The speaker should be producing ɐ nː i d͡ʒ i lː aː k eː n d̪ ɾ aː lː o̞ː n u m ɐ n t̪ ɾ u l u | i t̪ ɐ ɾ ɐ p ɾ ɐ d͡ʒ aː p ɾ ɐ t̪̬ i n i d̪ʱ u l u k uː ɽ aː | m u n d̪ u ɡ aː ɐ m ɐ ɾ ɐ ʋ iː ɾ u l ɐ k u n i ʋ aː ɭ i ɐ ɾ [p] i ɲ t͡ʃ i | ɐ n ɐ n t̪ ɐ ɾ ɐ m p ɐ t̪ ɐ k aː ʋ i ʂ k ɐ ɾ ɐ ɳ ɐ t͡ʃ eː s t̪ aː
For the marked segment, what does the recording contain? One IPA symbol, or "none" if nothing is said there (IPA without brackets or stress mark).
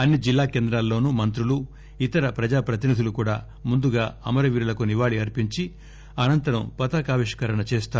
p